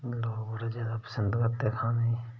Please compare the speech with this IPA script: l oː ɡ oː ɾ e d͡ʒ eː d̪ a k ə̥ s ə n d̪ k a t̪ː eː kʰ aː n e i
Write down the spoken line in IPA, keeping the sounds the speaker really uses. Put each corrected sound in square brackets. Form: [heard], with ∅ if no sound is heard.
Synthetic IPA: l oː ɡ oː ɾ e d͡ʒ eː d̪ a [p] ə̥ s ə n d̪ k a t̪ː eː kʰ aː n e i